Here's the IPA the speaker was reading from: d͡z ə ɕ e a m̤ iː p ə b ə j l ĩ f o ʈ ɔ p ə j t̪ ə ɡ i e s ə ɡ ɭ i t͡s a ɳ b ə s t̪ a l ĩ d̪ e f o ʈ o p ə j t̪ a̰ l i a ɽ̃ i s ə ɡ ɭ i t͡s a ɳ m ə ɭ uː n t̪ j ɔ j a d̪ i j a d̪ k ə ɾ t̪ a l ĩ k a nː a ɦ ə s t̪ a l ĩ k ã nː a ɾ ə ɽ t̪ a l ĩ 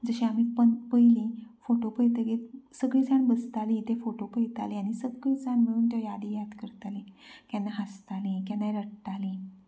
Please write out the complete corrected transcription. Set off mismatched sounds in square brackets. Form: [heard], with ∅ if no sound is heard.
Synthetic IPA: d͡z ə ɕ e a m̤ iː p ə [p] ə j l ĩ f o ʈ [o] p ə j t̪ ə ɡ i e s ə ɡ ɭ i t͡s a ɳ b ə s t̪ a l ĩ [t̪] e f o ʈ o p ə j t̪ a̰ l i a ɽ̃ i s ə ɡ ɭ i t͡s a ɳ m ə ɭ uː n t̪ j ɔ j a d̪ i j a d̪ k ə ɾ t̪ a l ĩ k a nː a ɦ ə s t̪ a l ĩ k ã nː a ɾ ə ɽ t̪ a l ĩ